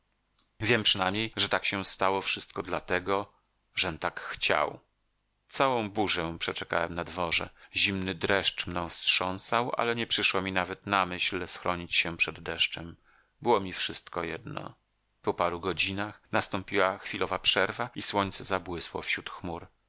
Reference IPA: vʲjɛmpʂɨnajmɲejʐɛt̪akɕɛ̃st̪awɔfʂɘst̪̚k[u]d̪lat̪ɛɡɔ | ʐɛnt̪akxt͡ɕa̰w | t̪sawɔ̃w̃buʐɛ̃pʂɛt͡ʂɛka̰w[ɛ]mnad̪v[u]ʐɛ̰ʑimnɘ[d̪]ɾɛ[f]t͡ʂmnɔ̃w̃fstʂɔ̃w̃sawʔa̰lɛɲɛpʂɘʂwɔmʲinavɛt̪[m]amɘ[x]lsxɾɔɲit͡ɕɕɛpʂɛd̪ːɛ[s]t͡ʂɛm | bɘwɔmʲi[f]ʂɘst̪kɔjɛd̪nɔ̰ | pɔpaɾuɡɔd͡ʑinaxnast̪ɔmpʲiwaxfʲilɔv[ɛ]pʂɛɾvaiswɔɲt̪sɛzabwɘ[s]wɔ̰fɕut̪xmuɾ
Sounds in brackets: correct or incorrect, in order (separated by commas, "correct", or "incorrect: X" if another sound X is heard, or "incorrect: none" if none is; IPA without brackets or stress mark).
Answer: incorrect: ɔ, correct, incorrect: ɔ, correct, incorrect: ʂ, incorrect: n, incorrect: ɕ, incorrect: ʂ, correct, incorrect: a, correct